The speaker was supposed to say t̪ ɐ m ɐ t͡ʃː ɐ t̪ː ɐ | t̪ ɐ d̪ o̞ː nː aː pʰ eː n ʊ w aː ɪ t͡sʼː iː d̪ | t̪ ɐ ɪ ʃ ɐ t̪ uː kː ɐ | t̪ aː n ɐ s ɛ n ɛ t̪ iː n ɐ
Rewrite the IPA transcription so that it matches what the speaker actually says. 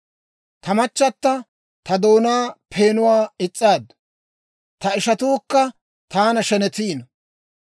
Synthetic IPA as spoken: t̪ ɐ m ɐ t͡ʃː ɐ t̪ː ɐ | t̪ ɐ d̪ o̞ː n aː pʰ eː n ʊ w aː ɪ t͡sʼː aː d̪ | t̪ ɐ ɪ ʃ ɐ t̪ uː kː ɐ | t̪ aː n ɐ ʃ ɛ n ɛ t̪ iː n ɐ